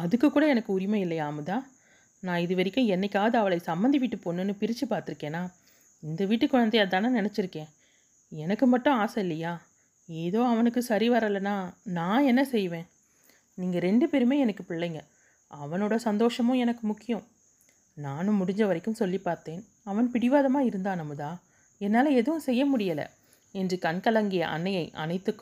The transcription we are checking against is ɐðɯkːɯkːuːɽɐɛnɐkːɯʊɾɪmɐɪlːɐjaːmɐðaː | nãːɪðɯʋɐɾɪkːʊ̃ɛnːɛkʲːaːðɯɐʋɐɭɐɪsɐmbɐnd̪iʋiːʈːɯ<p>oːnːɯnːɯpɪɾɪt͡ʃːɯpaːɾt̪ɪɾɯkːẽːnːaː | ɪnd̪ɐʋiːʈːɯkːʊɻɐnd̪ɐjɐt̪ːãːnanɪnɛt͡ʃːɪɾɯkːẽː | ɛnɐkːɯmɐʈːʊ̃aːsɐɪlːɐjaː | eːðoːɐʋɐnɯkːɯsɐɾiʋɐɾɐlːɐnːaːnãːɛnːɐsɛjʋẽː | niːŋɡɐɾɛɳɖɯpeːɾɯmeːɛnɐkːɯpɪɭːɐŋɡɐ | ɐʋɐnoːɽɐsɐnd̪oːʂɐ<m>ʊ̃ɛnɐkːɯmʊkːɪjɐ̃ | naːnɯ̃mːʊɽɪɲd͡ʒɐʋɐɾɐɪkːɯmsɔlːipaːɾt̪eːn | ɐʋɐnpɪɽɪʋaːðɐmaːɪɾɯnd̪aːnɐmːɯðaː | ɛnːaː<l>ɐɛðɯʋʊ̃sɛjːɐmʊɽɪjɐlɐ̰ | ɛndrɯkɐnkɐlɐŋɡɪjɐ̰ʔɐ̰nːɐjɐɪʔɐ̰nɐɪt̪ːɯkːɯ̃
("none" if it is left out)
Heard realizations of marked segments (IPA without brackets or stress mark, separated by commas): p, m, l